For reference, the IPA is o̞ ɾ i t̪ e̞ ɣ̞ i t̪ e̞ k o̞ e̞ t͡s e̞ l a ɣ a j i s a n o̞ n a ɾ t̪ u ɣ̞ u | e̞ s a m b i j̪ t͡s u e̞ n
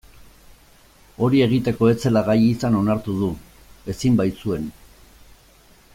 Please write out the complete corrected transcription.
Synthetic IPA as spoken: o̞ ɾ i e̞ ɣ̞ i t̪ e̞ k o̞ e̞ t͡s e̞ l a ɣ a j i s a n o̞ n a ɾ t̪ u ð̞ u | e̞ s i m b a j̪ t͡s u e̞ n